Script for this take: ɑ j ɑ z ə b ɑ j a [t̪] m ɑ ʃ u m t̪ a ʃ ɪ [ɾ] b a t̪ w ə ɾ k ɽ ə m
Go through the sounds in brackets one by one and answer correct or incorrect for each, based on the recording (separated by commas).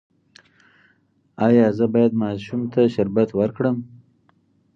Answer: incorrect, correct